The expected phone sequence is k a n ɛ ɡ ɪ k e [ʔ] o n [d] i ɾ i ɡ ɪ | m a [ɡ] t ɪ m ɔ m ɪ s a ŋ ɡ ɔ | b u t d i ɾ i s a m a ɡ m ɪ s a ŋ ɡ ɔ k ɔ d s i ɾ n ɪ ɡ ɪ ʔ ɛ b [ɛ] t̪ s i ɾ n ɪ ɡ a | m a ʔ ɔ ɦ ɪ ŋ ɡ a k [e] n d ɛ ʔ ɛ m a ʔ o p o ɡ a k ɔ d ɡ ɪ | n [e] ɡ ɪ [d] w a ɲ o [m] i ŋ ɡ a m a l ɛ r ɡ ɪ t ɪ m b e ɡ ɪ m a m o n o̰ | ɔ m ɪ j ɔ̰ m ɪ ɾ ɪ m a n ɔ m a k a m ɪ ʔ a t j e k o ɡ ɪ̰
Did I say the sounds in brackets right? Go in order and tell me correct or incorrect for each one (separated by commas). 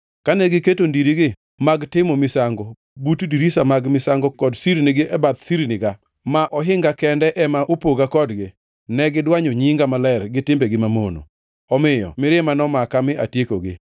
incorrect, correct, correct, incorrect, incorrect, incorrect, correct, incorrect